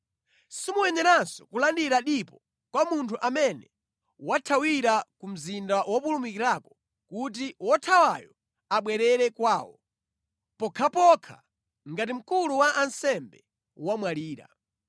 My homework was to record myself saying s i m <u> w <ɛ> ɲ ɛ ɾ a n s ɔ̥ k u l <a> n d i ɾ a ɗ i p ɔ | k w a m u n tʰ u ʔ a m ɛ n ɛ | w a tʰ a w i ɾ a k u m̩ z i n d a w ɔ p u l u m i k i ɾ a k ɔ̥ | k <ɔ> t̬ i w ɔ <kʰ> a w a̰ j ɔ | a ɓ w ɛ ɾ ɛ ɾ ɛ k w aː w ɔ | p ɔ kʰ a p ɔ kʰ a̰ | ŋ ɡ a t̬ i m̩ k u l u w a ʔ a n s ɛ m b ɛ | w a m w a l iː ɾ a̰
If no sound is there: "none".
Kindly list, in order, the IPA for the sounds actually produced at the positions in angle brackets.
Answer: u, ɛ, a, u, tʰ

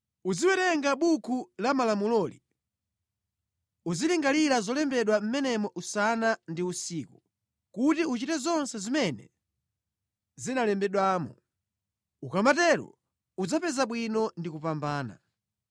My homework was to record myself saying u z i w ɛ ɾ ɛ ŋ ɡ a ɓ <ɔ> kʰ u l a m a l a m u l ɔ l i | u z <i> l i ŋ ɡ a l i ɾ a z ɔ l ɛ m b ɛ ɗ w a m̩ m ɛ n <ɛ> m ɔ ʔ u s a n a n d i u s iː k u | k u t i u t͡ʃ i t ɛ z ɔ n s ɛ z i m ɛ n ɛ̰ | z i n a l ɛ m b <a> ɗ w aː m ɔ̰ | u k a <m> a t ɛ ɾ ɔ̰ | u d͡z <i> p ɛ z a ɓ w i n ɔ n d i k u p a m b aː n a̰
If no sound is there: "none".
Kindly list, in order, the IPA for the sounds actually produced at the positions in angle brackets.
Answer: u, i, ɛ, ɛ, m, a

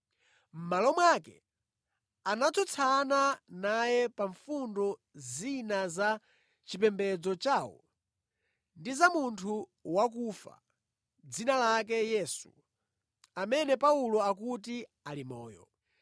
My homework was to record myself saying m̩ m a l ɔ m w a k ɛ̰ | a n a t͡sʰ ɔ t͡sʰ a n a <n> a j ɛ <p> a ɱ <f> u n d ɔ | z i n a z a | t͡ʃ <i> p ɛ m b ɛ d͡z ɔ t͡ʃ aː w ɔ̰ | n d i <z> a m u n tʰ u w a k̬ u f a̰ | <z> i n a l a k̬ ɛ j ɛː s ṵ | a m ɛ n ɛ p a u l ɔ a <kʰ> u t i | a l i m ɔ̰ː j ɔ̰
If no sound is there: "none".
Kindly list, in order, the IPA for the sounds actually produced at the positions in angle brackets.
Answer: n, p, f, i, z, d͡z, k

